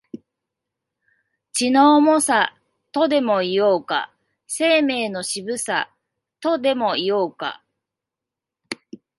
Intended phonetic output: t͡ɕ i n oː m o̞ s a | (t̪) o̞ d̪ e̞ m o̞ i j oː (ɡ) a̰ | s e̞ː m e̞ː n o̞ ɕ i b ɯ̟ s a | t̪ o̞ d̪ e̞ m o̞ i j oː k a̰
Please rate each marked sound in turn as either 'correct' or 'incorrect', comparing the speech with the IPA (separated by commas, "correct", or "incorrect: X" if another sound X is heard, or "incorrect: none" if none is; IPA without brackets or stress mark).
correct, incorrect: k